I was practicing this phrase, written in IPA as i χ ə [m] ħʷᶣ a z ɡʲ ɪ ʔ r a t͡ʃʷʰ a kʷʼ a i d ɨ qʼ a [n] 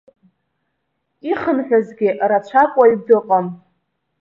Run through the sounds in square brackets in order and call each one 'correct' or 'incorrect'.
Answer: incorrect, incorrect

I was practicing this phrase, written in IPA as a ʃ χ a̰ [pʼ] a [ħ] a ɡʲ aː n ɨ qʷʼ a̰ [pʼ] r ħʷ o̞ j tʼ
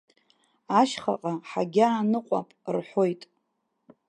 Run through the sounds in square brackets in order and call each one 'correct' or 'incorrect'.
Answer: incorrect, correct, correct

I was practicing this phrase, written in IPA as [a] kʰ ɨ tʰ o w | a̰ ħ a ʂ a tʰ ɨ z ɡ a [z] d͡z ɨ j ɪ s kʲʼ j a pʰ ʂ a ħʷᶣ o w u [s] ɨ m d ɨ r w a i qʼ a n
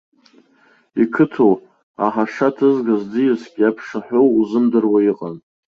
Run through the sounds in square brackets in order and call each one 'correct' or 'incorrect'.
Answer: incorrect, correct, incorrect

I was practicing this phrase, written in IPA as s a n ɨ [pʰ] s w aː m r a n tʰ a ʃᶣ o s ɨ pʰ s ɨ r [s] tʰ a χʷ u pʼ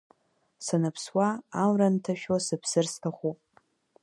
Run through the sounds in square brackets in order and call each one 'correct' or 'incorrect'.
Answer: correct, correct

